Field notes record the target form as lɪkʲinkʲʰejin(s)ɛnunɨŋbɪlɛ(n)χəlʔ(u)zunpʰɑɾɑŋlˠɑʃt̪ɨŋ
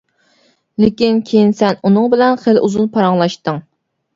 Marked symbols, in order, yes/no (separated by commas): yes, yes, yes